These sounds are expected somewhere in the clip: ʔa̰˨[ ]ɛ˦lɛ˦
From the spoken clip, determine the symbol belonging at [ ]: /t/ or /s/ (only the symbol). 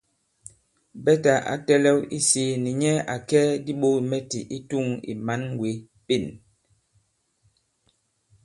t